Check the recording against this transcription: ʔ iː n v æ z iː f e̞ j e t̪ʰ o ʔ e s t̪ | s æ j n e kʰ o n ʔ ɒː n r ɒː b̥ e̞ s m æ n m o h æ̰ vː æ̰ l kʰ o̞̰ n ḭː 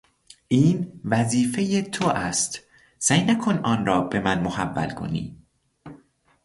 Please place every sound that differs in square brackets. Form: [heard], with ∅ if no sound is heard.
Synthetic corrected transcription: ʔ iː n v æ z iː f e̞ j e t̪ʰ o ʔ [æ] s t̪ | s æ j n [æ] kʰ o n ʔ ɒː n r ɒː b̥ e̞ [∅] m æ n m o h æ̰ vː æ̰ l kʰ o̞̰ n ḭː